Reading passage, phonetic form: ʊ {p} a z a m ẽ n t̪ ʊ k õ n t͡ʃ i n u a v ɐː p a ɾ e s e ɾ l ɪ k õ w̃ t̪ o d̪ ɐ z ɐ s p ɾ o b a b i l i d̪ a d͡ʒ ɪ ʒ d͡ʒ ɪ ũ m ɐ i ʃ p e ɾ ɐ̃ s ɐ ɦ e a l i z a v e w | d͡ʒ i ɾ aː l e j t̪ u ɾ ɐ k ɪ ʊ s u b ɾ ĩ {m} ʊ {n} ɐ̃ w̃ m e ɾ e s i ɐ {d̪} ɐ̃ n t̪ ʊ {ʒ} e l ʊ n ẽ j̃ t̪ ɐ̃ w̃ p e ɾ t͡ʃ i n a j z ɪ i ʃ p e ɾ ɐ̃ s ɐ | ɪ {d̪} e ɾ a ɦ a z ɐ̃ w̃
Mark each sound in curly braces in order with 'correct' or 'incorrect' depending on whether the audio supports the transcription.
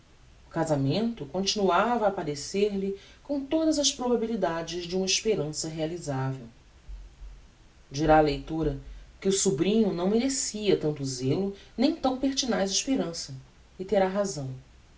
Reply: incorrect: k, incorrect: ɲ, correct, incorrect: t̪, incorrect: z, incorrect: t̪

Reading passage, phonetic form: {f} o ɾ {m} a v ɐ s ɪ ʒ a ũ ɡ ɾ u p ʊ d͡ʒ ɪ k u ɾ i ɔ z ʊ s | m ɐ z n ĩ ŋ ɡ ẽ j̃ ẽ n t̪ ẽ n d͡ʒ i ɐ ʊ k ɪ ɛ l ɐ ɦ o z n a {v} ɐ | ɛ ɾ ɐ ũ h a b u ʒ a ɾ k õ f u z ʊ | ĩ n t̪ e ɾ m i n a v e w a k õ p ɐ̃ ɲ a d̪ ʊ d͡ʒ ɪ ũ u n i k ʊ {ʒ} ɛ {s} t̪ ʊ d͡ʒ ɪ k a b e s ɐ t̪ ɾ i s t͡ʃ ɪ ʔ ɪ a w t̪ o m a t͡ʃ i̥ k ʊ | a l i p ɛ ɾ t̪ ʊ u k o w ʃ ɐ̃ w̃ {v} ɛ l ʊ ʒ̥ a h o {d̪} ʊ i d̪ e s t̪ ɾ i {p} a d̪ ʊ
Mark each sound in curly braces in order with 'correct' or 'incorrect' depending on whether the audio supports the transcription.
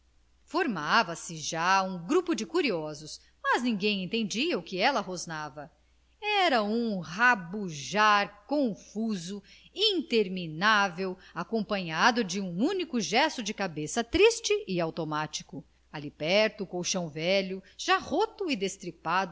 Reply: correct, correct, correct, correct, correct, correct, incorrect: t̪, correct

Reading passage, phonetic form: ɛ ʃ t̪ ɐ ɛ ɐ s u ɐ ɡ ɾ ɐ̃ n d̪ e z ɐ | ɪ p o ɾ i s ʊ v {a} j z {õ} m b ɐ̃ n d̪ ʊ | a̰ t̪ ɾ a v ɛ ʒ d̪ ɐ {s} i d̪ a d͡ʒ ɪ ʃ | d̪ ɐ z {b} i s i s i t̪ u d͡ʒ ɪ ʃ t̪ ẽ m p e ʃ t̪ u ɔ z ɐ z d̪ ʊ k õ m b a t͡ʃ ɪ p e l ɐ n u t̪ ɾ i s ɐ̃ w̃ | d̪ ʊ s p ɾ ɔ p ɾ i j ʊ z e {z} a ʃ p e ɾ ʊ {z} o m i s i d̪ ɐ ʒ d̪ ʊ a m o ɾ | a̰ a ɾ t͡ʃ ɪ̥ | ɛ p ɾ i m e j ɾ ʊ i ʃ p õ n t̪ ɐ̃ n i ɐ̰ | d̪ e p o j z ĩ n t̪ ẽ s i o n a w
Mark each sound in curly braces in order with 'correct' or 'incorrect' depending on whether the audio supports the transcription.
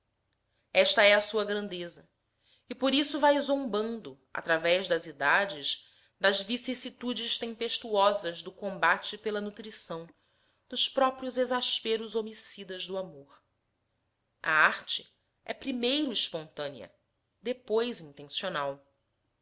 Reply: correct, correct, incorrect: z, incorrect: v, correct, correct

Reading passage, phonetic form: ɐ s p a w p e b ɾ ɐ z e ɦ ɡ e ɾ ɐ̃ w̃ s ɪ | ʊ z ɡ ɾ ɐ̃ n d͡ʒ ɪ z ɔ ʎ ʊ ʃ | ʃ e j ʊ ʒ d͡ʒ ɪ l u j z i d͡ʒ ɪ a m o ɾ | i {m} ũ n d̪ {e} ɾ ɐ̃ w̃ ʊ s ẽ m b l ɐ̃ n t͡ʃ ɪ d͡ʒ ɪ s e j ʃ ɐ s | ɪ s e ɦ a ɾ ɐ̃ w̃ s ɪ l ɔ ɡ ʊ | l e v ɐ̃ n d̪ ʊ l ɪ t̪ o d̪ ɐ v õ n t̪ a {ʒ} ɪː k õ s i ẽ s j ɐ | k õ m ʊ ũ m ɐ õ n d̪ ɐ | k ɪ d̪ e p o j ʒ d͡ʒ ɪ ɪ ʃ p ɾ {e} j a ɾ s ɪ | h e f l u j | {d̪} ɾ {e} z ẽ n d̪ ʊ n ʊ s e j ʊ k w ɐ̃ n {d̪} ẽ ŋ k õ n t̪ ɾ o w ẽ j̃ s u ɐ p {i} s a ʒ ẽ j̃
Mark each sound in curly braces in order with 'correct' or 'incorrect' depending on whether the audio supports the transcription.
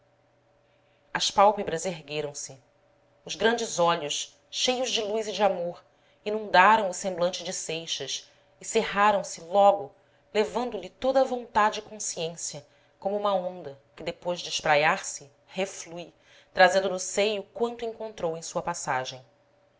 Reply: incorrect: n, incorrect: a, incorrect: d͡ʒ, incorrect: a, incorrect: t̪, incorrect: a, incorrect: t̪, incorrect: a

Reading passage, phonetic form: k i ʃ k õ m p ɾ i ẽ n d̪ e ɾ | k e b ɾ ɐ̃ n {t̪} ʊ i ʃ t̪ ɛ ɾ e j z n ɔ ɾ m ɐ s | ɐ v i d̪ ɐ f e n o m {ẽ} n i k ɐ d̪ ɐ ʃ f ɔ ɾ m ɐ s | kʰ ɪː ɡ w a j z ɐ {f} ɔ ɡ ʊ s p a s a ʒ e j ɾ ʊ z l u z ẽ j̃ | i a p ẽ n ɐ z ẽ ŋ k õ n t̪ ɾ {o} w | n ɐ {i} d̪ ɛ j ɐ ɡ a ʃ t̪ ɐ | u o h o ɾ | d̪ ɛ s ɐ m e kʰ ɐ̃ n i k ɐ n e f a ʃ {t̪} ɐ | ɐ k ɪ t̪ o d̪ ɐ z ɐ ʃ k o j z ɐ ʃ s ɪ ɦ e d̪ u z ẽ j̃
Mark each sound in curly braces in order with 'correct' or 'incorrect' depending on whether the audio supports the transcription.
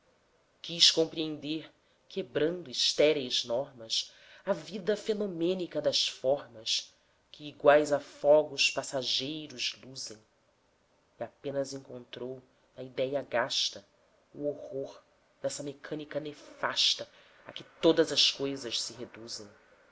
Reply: incorrect: d̪, correct, correct, correct, correct, correct

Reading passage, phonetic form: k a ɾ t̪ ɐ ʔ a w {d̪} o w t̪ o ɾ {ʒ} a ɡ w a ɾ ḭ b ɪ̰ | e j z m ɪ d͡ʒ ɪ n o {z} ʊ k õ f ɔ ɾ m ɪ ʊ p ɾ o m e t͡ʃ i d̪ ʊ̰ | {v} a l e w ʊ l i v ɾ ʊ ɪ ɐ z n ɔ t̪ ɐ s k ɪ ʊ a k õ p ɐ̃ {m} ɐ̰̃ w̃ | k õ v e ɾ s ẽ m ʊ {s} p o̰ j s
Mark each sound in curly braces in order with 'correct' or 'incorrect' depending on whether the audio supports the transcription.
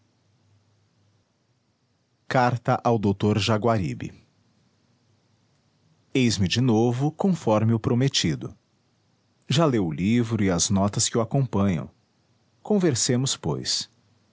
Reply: correct, correct, incorrect: v, incorrect: ʒ, incorrect: ɲ, correct

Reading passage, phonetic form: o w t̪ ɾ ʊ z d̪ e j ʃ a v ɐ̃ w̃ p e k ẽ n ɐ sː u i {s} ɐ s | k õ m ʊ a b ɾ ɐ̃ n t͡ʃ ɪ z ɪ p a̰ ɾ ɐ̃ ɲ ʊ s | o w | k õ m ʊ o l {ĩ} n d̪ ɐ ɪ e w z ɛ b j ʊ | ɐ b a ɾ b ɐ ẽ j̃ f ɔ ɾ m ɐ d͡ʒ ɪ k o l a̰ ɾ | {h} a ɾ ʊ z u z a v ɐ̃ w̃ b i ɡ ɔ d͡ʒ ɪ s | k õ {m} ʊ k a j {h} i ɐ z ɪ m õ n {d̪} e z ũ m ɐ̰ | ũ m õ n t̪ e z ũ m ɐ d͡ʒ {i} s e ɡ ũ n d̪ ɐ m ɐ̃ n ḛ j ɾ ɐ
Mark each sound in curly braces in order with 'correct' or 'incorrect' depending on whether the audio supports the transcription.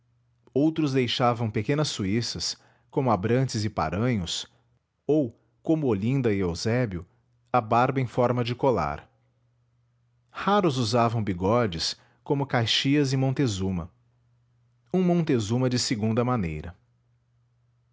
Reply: correct, correct, correct, correct, incorrect: ʃ, incorrect: t̪, incorrect: ɪ

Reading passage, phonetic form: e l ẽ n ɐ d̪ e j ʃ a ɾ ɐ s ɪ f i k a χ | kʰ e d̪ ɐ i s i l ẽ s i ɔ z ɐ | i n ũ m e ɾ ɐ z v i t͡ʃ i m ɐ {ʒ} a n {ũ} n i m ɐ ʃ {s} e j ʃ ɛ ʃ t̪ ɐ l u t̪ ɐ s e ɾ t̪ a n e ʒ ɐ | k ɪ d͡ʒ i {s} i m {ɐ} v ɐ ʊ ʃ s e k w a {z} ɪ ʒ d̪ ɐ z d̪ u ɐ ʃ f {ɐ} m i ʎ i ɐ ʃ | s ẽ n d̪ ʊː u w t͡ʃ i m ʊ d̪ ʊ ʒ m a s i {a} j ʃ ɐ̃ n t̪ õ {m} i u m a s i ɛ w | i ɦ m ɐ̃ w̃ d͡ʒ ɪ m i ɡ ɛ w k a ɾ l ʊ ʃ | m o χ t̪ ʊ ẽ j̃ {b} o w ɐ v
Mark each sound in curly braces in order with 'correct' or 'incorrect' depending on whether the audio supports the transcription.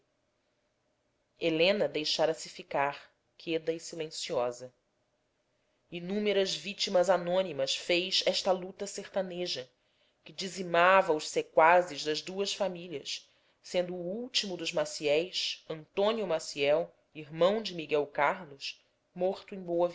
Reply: incorrect: z, incorrect: õ, incorrect: f, incorrect: z, incorrect: a, correct, incorrect: a, incorrect: ɛ, incorrect: n, correct

